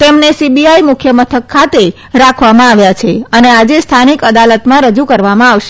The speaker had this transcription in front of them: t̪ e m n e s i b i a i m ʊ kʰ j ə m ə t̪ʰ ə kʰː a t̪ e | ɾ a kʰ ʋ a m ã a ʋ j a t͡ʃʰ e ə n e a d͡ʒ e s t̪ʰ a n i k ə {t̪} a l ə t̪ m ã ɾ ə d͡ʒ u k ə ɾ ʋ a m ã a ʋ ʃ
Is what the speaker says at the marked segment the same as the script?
no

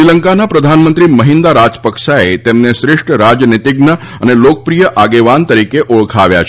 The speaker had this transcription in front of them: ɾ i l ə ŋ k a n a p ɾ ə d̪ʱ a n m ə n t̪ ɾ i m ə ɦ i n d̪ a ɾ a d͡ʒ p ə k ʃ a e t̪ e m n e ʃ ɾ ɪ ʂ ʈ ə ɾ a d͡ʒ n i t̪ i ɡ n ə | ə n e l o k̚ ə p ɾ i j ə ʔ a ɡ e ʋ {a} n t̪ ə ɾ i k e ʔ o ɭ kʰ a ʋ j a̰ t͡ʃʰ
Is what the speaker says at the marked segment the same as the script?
yes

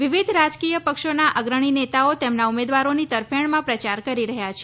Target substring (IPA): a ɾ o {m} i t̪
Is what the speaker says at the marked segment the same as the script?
no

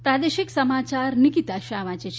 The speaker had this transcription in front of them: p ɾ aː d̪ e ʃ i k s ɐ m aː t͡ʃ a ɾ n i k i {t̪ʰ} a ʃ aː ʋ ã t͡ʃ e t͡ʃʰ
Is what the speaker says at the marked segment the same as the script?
no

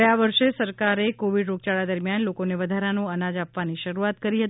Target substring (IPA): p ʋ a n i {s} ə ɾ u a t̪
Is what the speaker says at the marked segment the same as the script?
no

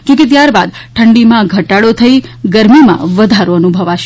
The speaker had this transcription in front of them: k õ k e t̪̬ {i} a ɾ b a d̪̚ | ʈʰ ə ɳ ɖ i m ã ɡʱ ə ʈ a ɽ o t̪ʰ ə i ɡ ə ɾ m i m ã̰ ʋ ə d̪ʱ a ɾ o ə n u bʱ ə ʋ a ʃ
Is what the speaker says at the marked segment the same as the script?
no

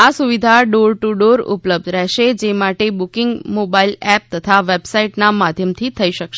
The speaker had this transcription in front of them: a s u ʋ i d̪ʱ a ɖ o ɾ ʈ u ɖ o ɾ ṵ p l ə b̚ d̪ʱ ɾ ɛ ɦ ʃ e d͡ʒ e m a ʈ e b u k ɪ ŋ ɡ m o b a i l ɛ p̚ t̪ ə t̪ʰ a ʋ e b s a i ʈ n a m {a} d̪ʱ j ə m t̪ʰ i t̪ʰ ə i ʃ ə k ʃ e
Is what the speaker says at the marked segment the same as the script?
yes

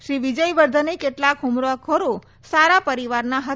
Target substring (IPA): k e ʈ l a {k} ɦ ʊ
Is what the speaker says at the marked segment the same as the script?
yes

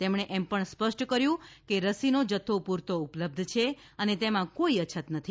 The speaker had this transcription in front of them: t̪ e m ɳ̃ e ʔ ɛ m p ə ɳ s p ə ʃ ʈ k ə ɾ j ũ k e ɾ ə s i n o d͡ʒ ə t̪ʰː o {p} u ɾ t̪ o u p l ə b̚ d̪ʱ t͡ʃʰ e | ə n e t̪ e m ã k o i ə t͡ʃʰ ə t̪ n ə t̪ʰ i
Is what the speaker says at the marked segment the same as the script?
yes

